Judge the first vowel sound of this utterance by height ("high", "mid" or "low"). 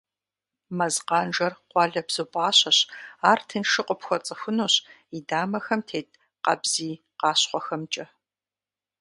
low